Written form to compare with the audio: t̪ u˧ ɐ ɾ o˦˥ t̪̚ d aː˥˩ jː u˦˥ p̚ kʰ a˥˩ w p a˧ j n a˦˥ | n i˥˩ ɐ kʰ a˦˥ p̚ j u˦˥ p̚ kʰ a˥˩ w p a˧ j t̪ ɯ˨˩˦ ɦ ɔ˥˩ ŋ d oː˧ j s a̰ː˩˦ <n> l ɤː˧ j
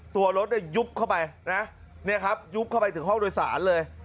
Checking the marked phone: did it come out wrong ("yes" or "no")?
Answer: no